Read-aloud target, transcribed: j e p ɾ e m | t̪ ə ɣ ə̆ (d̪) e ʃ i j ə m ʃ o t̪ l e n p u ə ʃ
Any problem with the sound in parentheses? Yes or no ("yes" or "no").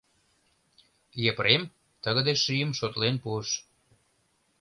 no